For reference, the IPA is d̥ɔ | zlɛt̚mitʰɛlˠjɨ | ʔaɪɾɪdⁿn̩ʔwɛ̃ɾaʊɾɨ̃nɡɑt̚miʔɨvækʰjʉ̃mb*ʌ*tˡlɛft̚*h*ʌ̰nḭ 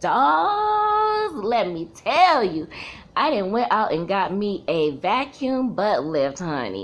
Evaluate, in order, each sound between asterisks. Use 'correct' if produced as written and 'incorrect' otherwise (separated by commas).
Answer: correct, correct